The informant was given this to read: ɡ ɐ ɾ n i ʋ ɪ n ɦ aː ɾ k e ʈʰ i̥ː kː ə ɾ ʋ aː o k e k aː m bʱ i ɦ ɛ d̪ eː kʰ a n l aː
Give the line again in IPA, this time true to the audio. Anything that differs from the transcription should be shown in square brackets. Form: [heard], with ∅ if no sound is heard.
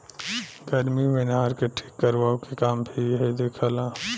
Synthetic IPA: ɡ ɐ ɾ [m] i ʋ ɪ n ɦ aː ɾ k e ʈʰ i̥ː kː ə ɾ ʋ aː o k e k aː m bʱ i ɦ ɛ d̪ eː kʰ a [∅] l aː